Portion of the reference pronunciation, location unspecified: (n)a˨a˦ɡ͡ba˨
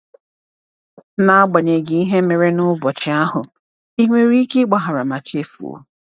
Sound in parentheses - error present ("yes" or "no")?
no